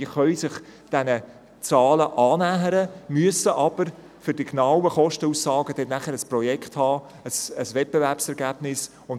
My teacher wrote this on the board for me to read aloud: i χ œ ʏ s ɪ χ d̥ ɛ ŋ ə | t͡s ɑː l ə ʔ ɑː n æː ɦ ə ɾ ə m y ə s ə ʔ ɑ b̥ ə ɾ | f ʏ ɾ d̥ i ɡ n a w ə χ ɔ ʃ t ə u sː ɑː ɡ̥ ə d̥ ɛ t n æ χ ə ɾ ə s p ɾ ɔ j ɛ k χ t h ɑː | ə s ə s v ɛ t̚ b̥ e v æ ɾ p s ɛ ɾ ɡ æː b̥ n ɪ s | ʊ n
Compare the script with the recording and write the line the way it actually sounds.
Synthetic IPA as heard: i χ œ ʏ s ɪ χ d̥ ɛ n ə | t͡s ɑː l ə ʔ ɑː n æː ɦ ə ɾ ə m y ə s ə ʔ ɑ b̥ ə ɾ | f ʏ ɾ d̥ i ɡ n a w ə χ ɔ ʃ t ə u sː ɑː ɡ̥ ə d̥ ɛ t n æ χ ə ɾ ə s p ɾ ɔ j ɛ k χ t h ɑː | ə s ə s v ɛ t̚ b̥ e v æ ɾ p s ɛ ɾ ɡ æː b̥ n ɪ s | ʊ n